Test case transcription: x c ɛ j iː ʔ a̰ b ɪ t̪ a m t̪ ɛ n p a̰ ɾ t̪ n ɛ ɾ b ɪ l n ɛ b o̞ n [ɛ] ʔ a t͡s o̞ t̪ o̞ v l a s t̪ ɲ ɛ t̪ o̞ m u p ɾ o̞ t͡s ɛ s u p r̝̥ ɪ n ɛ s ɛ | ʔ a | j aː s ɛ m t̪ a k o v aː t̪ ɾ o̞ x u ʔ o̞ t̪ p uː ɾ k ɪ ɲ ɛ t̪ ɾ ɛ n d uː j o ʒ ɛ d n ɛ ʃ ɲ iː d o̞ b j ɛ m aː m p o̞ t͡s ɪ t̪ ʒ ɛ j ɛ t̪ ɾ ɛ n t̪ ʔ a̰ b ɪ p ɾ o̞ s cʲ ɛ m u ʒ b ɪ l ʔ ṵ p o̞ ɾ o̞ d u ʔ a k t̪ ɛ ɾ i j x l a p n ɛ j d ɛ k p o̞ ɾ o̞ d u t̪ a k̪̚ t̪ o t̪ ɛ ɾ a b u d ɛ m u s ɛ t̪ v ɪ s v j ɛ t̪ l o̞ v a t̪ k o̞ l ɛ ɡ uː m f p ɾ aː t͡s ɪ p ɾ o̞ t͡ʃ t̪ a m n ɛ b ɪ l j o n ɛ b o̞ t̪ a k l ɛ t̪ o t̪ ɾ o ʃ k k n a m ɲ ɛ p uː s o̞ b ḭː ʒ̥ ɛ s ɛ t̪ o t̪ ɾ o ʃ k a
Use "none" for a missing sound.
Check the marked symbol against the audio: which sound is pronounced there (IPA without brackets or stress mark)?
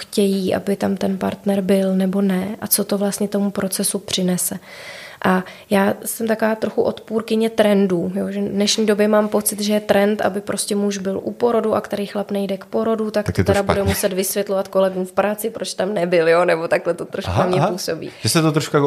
ɛ